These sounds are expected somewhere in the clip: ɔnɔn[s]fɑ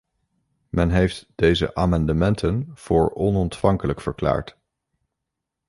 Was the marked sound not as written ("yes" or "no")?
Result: yes